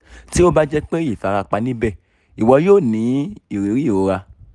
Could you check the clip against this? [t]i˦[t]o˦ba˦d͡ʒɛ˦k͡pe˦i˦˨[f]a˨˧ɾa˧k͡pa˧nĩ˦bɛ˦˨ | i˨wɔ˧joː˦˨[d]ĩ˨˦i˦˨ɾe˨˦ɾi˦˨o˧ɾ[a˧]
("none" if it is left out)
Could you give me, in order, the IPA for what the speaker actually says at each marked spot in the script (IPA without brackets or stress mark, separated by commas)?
t, none, f, n, a˧